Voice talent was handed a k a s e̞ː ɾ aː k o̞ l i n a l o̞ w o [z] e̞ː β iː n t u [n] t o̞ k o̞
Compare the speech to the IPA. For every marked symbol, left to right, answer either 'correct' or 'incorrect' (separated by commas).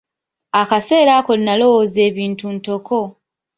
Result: correct, correct